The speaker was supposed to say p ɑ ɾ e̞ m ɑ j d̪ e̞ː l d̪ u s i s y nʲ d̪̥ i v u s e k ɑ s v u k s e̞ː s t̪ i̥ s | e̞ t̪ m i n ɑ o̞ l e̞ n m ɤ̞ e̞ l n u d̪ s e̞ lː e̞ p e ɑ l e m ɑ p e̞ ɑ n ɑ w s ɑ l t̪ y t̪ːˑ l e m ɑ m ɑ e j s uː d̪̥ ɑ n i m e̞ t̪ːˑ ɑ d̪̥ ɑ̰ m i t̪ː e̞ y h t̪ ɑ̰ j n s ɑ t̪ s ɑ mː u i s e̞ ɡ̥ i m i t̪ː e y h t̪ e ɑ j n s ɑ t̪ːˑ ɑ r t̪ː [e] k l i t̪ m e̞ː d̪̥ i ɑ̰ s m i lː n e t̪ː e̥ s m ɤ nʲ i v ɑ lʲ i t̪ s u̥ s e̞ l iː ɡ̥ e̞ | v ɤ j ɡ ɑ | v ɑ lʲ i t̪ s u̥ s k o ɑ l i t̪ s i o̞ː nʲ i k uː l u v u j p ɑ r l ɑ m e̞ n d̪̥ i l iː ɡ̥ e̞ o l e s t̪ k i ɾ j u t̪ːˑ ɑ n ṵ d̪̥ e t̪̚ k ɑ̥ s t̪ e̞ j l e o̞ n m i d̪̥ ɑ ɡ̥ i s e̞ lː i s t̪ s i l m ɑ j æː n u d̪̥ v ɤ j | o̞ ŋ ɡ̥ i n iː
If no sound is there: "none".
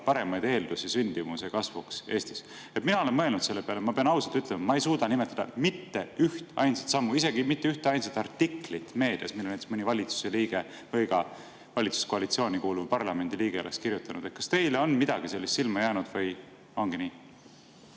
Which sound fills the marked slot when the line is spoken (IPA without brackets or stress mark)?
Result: i